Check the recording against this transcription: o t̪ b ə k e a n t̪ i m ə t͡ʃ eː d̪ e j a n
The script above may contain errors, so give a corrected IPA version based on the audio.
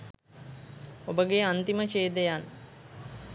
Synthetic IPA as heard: o b ə ɡ e a n t̪ i m ə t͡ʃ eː d̪ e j a n